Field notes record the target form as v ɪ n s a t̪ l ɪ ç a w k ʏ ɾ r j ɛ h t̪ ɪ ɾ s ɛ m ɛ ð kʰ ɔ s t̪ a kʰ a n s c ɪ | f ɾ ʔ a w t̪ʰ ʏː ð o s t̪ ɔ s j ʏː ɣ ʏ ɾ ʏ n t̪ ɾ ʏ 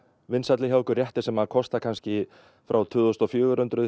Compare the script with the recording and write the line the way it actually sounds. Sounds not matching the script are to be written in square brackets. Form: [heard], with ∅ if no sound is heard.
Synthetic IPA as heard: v ɪ n s a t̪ l ɪ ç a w k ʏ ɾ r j ɛ h t̪ ɪ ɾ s ɛ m [a] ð kʰ ɔ s t̪ a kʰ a n s c ɪ | f ɾ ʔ a w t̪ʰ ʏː ð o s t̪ ɔ [f] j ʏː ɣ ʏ ɾ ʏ n t̪ ɾ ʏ